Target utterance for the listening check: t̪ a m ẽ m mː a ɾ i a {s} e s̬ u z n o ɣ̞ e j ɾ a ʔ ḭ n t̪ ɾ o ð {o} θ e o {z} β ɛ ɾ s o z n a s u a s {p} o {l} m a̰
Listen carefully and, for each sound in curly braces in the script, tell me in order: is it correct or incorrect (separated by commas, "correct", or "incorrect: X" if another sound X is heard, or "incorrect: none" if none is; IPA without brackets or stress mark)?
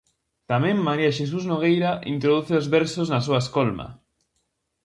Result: incorrect: ʃ, incorrect: u, correct, incorrect: k, correct